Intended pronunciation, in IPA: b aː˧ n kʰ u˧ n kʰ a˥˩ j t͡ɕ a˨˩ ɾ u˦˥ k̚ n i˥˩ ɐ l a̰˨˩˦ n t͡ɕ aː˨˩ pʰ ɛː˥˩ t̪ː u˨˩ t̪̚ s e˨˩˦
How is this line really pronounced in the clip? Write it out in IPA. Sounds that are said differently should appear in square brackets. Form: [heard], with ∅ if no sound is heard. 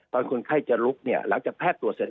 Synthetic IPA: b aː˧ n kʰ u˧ n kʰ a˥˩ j t͡ɕ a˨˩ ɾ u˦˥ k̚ n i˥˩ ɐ l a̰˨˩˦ [ŋ] t͡ɕ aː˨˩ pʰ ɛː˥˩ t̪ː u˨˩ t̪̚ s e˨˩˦